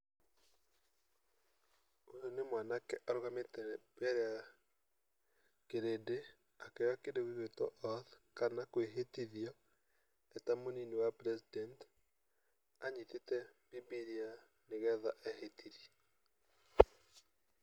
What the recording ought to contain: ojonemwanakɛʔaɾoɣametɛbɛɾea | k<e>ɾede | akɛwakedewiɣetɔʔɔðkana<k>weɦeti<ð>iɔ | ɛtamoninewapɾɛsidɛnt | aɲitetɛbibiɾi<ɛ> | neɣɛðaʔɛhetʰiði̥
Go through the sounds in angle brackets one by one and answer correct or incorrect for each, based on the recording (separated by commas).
correct, correct, correct, incorrect